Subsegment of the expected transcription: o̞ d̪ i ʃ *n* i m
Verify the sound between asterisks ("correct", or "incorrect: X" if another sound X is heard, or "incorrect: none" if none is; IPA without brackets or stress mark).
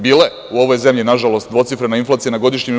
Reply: incorrect: ɲ